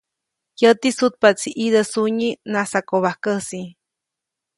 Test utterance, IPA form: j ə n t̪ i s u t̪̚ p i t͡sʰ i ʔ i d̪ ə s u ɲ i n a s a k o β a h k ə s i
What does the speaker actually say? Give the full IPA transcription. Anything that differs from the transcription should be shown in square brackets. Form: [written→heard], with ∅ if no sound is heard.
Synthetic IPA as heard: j ə [n→∅] t̪ i s u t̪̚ p [i→a] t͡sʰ i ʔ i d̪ ə s u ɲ i n a s a k o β a h k ə s i